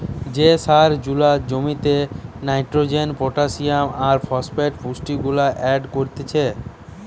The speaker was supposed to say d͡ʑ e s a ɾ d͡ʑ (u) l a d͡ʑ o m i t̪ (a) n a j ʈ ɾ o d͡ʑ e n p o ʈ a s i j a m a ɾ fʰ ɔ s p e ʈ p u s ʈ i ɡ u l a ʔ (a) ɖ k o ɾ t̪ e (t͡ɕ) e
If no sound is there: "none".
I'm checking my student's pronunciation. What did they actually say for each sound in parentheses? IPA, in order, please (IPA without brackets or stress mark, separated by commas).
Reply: u, e, ɛ, t͡ɕʰ